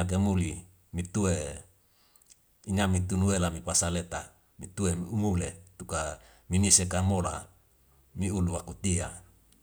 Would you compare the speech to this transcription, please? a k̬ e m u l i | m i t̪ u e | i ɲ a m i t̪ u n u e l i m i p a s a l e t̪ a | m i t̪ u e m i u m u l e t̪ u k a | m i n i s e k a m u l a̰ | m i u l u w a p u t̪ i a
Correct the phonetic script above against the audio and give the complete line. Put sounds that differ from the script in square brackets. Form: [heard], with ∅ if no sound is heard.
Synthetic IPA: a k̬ e m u l i | m i t̪ u e | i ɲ a m i t̪ u n u e l [a] m i p a s a l e t̪ a | m i t̪ u e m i u m u l e t̪ u k a | m i n i s e k a m [o] l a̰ | m i u l u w a [k] u t̪ i a